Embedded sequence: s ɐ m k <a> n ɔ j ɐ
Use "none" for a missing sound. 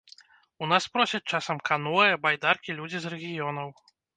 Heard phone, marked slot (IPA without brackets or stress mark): a